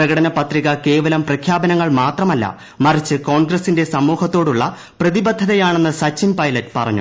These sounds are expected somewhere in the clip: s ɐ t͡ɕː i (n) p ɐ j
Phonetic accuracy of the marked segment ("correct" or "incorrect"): incorrect